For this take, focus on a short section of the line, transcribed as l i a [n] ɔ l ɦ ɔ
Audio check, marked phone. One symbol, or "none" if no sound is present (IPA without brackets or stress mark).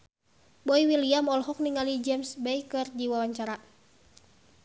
m